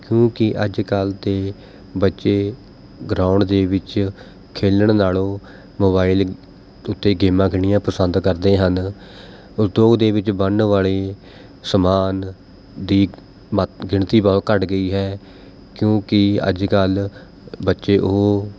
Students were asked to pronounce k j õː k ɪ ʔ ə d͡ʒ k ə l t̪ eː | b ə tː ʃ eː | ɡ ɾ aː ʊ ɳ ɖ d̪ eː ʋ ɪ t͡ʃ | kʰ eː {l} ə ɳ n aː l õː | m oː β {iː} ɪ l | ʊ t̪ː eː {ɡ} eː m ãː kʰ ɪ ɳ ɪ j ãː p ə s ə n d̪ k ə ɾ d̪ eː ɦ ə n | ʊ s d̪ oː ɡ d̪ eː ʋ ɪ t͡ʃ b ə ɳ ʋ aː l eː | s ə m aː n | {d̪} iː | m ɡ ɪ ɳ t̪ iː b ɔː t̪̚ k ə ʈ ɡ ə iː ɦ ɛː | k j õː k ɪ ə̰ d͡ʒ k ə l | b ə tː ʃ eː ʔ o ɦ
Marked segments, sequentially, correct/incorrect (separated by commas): correct, incorrect, correct, correct